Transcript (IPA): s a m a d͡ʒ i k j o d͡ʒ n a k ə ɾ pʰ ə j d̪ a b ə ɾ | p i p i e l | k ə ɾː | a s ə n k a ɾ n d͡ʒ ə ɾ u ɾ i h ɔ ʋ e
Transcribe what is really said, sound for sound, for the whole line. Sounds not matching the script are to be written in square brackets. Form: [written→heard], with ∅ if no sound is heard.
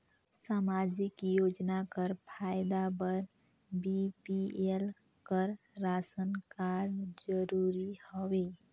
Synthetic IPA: s a m a d͡ʒ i k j o d͡ʒ n a k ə ɾ pʰ [ə→a] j d̪ a b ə ɾ | [p→b] i p i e l | k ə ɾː | a s ə n k a ɾ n d͡ʒ ə ɾ u ɾ i h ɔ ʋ e